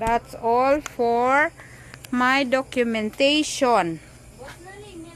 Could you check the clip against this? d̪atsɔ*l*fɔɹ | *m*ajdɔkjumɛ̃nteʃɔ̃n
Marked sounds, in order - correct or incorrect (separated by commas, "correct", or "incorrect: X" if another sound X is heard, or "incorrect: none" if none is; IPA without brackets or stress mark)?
correct, correct